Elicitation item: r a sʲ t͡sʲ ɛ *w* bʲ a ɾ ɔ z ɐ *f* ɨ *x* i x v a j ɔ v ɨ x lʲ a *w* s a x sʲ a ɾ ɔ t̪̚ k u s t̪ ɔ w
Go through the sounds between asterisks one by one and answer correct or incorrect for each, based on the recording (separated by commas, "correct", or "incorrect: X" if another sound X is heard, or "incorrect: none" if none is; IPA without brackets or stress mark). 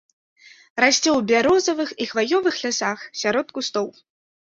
correct, incorrect: v, correct, incorrect: none